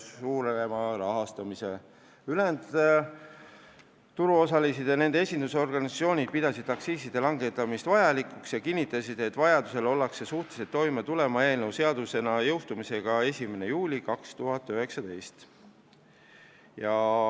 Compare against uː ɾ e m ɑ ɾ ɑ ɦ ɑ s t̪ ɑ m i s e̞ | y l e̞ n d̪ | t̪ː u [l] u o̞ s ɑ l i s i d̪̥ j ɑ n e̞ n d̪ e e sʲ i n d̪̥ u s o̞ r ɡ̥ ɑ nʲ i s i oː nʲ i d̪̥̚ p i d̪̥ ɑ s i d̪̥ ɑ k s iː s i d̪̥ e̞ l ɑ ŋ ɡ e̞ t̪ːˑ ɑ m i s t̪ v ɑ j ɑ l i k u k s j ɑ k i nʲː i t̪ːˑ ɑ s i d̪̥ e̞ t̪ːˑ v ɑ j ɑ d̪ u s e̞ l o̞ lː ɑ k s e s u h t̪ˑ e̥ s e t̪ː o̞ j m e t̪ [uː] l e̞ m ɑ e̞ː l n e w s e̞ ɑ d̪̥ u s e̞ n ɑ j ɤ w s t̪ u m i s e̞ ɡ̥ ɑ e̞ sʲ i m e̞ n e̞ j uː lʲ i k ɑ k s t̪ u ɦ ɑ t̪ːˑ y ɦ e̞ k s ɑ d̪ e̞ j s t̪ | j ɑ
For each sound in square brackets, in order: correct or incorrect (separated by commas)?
incorrect, incorrect